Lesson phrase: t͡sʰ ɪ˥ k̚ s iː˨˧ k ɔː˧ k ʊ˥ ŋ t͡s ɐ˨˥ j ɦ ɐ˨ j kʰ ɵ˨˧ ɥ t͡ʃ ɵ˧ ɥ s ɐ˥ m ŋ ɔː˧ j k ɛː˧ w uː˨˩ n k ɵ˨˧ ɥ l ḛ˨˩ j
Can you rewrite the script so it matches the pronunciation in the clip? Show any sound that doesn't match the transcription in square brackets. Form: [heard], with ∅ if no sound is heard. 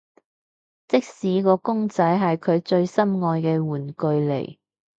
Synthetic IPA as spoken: [t͡s] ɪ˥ k̚ s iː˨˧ k ɔː˧ k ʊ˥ ŋ t͡s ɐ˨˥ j ɦ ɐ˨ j kʰ ɵ˨˧ ɥ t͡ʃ ɵ˧ ɥ s ɐ˥ m ŋ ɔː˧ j k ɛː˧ w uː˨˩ n k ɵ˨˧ ɥ l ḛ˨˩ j